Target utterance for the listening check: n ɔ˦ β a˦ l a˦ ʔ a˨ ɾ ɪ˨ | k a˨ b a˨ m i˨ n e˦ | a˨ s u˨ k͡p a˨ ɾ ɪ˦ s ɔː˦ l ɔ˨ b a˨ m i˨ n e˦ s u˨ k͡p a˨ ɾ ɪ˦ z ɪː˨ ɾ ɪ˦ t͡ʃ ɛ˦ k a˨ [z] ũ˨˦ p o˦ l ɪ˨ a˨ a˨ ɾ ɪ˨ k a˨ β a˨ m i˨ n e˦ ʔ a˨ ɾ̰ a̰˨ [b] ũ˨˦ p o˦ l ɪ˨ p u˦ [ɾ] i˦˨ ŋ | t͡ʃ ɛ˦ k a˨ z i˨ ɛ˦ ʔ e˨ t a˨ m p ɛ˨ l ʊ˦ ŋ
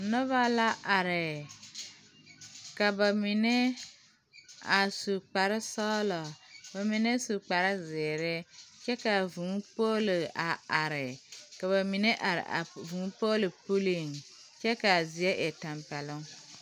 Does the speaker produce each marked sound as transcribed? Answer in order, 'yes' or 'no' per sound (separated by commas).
no, no, no